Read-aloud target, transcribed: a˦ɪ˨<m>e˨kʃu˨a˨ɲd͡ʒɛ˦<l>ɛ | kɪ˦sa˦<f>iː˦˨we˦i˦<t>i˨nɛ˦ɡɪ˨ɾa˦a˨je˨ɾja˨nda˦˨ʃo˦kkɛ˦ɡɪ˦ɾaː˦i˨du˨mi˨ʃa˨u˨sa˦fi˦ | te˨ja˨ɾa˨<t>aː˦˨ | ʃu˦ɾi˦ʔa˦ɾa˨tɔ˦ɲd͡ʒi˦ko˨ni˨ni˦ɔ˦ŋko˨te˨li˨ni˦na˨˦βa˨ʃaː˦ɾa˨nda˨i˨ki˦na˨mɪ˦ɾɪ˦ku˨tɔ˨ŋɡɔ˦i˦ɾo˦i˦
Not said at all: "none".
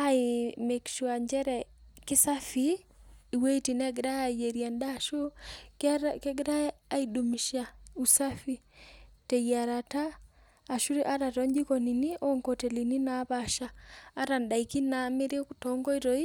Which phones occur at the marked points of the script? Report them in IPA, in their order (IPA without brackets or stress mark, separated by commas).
m, ɾ, f, t, t